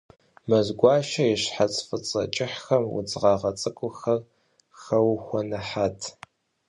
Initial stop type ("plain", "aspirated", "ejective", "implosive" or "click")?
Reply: plain